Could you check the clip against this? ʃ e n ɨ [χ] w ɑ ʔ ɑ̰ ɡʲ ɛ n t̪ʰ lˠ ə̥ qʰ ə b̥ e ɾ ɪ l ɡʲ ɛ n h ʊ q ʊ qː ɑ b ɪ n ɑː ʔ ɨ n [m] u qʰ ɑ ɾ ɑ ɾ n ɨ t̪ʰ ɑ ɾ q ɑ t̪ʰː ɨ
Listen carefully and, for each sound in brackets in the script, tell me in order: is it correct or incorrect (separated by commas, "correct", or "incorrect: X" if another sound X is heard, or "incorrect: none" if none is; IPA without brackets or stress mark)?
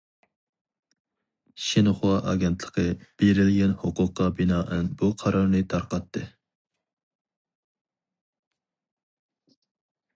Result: correct, incorrect: b